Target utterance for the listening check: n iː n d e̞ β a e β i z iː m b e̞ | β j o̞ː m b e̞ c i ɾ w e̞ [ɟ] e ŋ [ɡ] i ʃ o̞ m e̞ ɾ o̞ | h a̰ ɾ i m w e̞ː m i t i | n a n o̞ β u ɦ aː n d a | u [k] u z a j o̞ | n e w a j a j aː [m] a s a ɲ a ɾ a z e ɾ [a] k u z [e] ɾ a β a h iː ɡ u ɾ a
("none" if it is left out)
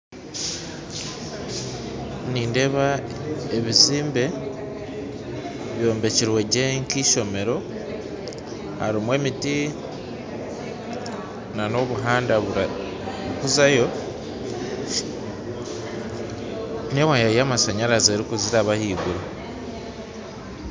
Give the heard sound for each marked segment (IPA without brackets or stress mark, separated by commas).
ɟ, k, k, m, i, i